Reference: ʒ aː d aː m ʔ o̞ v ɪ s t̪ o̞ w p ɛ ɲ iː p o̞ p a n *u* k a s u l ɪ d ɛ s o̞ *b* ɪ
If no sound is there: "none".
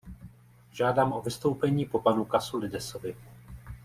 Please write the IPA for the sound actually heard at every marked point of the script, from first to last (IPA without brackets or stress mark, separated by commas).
u, v